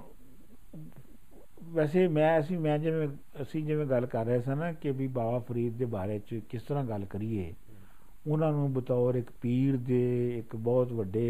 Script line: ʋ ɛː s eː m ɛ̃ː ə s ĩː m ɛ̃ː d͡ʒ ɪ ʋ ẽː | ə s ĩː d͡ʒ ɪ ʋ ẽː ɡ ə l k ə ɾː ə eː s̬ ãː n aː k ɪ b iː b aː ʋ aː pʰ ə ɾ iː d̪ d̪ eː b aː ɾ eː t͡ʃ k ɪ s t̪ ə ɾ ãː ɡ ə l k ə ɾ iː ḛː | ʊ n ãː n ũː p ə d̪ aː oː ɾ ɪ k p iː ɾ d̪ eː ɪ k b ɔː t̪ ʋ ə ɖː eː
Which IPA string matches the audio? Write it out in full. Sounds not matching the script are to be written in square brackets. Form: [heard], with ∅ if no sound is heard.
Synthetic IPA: ʋ ɛː s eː m ɛ̃ː ə s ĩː m ɛ̃ː d͡ʒ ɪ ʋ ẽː | ə s ĩː d͡ʒ ɪ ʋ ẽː ɡ ə l k ə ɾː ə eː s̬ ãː n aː k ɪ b iː b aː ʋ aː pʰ ə ɾ iː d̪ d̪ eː b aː ɾ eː t͡ʃ k ɪ s t̪ ə ɾ ãː ɡ ə l k ə ɾ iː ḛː | ʊ n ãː n ũː [b] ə [t̪] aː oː ɾ ɪ k p iː ɾ d̪ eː ɪ k b ɔː t̪ ʋ ə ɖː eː